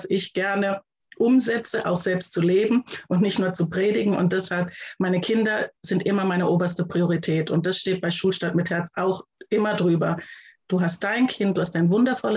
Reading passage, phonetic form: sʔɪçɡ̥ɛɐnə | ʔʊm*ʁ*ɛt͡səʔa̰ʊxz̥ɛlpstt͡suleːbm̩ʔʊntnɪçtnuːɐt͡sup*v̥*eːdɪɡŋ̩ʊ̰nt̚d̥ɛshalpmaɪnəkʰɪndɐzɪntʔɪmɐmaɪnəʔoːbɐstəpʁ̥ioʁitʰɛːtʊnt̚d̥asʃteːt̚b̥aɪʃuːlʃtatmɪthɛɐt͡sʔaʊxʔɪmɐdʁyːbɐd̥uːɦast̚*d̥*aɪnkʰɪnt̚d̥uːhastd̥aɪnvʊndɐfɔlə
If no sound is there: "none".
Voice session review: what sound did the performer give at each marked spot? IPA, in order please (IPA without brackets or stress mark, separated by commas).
z, ʁ̥, d̥